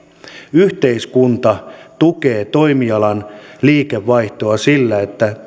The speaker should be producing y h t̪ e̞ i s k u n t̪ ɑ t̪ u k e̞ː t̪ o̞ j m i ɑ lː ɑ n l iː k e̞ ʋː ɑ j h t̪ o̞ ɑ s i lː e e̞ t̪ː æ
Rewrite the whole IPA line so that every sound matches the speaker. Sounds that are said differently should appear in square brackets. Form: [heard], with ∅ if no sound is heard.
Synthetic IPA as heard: y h t̪ e̞ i s k u n t̪ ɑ t̪ u k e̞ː t̪ o̞ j m i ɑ [l] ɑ n l iː k e̞ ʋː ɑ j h t̪ o̞ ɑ s i lː [æ] e̞ t̪ː æ